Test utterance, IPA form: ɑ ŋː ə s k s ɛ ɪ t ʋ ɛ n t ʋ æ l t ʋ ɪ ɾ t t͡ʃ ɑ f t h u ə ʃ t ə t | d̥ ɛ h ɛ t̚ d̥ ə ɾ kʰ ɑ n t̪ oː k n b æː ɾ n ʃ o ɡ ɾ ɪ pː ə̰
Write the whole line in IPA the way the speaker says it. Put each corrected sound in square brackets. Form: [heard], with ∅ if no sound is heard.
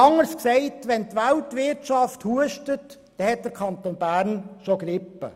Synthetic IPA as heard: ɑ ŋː ə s k s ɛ ɪ t ʋ ɛ n t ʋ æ l t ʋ ɪ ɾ t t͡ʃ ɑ f t h u ə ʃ t ə t | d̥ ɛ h ɛ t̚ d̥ ə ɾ kʰ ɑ n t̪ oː [∅] n b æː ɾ n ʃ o ɡ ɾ ɪ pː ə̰